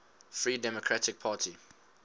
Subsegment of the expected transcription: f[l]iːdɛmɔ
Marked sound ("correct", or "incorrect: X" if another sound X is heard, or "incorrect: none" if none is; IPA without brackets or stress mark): incorrect: ɹ